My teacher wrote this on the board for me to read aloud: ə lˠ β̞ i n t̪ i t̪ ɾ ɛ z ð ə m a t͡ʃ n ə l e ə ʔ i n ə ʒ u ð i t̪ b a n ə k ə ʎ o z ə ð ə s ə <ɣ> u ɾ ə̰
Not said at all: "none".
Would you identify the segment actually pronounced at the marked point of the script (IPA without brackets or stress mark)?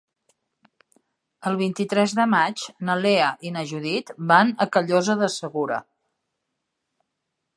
ɣ